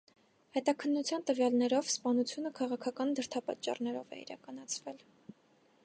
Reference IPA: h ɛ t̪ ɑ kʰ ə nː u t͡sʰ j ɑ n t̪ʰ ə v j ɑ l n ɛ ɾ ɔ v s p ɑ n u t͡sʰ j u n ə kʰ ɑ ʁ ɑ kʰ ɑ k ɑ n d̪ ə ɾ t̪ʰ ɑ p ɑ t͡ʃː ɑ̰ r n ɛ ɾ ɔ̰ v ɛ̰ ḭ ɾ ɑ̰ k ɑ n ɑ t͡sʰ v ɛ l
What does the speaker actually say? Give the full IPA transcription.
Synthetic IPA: h ɛ t̪ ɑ kʰ ə nː u t͡sʰ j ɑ n t̪ ə v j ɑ l n ɛ ɾ ɔ v s p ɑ n u t͡sʰ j u n ə kʰ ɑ ʁ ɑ kʰ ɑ k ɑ n d̪ ə ɾ t̪ʰ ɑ p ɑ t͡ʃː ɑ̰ r n ɛ ɾ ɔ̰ v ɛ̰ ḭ ɾ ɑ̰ k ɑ n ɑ t͡sʰ v ɛ l